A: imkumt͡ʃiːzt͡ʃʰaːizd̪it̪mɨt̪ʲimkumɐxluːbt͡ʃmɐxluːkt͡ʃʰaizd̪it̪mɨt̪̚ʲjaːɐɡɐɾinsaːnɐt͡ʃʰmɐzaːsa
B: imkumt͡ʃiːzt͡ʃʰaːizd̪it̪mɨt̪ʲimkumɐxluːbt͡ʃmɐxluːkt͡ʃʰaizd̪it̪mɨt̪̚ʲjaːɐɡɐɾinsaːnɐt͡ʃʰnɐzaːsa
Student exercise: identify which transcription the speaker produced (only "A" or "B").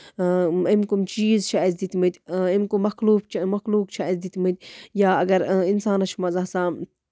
A